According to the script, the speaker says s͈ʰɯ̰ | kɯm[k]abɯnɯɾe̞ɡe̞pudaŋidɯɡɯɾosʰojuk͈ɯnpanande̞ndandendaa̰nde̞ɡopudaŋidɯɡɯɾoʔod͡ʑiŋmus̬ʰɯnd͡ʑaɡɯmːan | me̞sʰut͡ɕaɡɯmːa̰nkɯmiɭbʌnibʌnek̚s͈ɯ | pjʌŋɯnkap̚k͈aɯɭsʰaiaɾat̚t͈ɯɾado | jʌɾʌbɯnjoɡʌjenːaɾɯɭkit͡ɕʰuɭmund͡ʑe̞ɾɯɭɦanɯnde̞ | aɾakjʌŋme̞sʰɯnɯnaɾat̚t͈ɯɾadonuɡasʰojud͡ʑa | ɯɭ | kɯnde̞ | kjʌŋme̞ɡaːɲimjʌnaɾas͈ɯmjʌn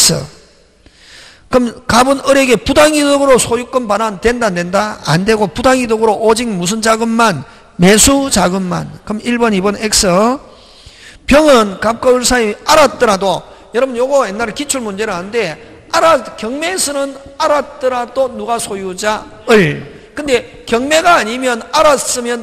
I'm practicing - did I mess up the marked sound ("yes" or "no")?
no